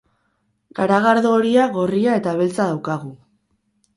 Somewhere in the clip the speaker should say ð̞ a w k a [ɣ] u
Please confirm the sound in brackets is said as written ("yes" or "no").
yes